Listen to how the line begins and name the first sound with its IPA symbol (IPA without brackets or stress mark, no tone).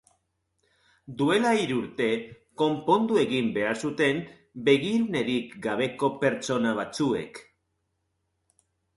d̪